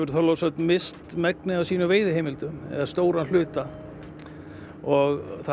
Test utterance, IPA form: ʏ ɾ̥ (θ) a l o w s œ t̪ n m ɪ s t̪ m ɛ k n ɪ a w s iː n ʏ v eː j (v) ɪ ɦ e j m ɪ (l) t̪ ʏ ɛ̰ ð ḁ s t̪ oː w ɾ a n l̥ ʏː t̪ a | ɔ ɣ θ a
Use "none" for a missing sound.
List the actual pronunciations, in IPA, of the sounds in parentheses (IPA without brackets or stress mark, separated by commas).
θ, ð, l